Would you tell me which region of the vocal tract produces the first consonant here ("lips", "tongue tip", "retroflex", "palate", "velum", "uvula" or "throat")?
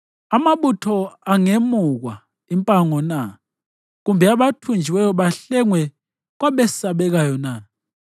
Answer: lips